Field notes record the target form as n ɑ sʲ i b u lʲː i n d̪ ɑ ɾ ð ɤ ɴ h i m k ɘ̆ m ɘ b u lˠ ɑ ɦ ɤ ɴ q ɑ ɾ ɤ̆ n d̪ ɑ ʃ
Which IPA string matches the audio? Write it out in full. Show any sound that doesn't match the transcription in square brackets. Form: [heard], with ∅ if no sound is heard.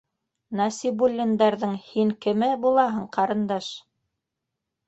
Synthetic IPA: n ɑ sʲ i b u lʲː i n d̪ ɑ ɾ ð ɤ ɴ h i [ŋ] k ɘ̆ m ɘ b u lˠ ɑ ɦ ɤ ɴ q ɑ ɾ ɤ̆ n d̪ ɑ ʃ

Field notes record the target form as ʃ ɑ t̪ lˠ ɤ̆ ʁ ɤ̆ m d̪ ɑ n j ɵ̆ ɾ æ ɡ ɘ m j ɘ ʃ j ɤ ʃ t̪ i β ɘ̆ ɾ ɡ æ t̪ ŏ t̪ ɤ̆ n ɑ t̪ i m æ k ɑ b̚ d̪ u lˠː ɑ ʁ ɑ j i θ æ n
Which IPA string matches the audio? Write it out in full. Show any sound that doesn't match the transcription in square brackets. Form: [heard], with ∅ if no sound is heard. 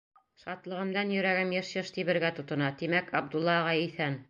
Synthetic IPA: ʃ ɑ t̪ lˠ ɤ̆ ʁ ɤ̆ m d̪ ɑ n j ɵ̆ ɾ æ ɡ ɘ m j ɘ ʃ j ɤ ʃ t̪ i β ɘ̆ ɾ ɡ æ t̪ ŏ t̪ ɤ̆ n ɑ t̪ i m æ k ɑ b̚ d̪ u lˠː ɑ ʁ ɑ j i θ æ n

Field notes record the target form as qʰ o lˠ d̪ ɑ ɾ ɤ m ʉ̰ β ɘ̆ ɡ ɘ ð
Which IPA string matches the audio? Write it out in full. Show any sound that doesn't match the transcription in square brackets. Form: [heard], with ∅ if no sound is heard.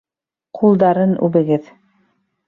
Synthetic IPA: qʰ [u] lˠ d̪ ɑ ɾ ɤ [n] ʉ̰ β ɘ̆ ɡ ɘ ð

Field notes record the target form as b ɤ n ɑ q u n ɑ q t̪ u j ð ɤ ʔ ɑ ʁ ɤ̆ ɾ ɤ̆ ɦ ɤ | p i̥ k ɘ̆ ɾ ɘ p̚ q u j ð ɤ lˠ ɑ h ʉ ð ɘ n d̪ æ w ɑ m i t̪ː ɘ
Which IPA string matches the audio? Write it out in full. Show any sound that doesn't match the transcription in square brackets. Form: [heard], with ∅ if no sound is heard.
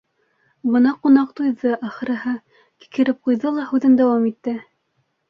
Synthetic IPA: b ɤ n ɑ q u n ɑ q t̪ u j ð ɤ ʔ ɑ [χ] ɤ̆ ɾ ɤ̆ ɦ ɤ | [k] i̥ k ɘ̆ ɾ ɘ p̚ q u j ð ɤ lˠ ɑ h ʉ ð ɘ n d̪ æ w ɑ m i t̪ː ɘ

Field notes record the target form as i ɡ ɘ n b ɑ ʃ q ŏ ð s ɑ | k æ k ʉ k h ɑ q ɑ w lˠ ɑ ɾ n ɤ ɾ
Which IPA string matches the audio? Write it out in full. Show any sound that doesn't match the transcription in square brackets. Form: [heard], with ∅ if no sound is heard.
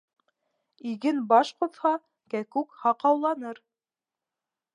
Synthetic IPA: i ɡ ɘ n b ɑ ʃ q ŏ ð [h] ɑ | k æ k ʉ k h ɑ q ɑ w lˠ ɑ [∅] n ɤ ɾ

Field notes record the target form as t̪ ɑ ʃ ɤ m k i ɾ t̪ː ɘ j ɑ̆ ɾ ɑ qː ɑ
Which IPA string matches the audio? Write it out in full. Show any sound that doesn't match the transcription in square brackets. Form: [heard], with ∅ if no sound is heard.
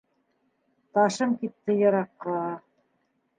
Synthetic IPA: t̪ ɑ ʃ ɤ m k i [∅] t̪ː ɘ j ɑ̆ ɾ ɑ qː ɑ

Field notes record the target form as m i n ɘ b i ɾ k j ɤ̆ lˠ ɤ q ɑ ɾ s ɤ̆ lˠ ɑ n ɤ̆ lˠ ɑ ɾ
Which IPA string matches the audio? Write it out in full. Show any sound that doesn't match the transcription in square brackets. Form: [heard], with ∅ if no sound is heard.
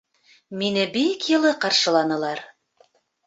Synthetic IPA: m i n ɘ b i [∅] k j ɤ̆ lˠ ɤ q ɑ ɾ [ʃ] ɤ̆ lˠ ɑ n ɤ̆ lˠ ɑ ɾ

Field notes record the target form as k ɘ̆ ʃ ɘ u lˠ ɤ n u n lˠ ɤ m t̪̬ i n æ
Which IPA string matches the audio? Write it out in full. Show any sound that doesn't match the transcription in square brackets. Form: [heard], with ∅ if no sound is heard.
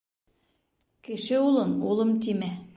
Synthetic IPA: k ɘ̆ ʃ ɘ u lˠ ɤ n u [∅] lˠ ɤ m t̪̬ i [m] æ

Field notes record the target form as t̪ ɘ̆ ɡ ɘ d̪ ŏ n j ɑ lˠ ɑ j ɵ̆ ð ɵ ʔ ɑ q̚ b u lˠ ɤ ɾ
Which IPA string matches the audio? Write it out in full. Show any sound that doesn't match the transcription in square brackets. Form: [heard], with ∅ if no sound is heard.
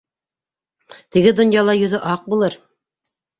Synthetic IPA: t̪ ɘ̆ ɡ ɘ d̪ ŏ n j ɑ lˠ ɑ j ɵ̆ ð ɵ ʔ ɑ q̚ b u lˠ ɤ ɾ

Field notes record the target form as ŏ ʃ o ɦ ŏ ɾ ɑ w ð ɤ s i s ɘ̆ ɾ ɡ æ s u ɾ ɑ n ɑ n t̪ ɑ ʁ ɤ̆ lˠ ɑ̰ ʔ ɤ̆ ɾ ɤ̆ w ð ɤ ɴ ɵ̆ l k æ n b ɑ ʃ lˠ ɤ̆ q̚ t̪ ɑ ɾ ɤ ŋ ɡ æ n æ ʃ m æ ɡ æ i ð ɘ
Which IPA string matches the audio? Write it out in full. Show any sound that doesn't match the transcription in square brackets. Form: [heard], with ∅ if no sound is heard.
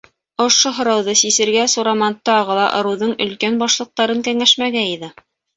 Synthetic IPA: ŏ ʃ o ɦ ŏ ɾ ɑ w ð ɤ s i s ɘ̆ ɾ ɡ æ s u ɾ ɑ [m] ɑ n t̪ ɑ ʁ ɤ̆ lˠ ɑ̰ ʔ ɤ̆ ɾ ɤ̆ w ð ɤ ɴ ɵ̆ l k æ n b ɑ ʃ lˠ ɤ̆ q̚ t̪ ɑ ɾ ɤ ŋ [k] æ [ŋ] æ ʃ m æ ɡ æ i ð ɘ

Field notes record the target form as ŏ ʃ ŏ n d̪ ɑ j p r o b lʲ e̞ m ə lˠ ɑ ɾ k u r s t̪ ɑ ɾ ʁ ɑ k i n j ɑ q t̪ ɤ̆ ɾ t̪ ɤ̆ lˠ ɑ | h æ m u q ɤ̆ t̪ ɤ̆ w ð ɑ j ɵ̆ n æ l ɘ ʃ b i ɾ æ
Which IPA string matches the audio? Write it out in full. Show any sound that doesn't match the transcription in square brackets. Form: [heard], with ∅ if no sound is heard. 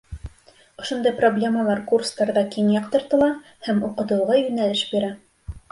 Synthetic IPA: ŏ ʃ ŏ n d̪ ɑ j p r o b lʲ e̞ m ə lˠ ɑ ɾ k u r s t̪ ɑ ɾ [ð] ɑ k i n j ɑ q t̪ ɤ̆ ɾ t̪ ɤ̆ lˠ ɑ | h æ m u q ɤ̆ t̪ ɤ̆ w [ʁ] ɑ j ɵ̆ n æ l ɘ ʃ b i ɾ æ

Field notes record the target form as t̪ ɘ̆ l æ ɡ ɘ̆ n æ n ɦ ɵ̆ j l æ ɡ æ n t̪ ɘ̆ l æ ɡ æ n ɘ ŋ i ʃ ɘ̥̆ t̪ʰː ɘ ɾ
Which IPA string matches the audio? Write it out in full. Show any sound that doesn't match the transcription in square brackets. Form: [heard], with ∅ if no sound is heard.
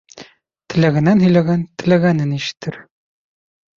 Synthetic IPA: t̪ ɘ̆ l æ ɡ ɘ̆ n æ n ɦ ɵ̆ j l æ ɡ æ n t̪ ɘ̆ l æ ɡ æ n ɘ [n] i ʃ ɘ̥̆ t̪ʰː ɘ ɾ

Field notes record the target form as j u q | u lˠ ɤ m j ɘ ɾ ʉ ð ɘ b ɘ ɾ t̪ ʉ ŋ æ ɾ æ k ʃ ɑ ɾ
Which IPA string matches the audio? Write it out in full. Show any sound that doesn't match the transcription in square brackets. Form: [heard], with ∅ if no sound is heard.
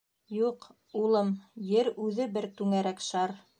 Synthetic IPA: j u q | u lˠ ɤ m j ɘ ɾ ʉ ð ɘ b ɘ ɾ t̪ ʉ ŋ æ ɾ æ k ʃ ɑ ɾ

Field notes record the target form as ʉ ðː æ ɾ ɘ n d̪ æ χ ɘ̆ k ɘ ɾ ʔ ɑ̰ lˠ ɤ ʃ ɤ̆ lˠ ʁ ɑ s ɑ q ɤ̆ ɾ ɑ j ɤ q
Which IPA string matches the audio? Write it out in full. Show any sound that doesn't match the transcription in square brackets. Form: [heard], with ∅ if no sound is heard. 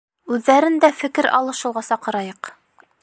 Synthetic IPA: ʉ ðː æ ɾ ɘ n d̪ æ [f] ɘ̆ k ɘ ɾ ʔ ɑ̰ lˠ ɤ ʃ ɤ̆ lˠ ʁ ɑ s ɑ q ɤ̆ ɾ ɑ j ɤ q

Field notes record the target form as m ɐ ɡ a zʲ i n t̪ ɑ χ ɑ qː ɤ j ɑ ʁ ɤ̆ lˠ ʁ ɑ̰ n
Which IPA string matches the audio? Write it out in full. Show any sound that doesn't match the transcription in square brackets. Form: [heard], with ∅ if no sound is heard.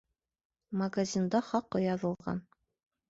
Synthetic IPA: m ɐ ɡ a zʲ i n [d̪] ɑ χ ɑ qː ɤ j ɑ [ð] ɤ̆ lˠ ʁ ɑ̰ n

